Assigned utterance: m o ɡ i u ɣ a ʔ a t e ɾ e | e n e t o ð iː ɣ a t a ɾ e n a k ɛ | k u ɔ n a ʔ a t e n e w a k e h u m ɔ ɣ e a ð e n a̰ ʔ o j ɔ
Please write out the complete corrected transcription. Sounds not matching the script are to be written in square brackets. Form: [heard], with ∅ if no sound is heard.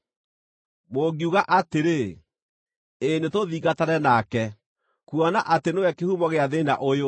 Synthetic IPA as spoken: m o ɡ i u ɣ a ʔ a t e ɾ e | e n e t o ð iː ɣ a t a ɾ [ɛ] n a k ɛ | k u ɔ n a ʔ a t e n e w [ɛ] k e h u m ɔ ɣ e a ð e n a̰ ʔ o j [o]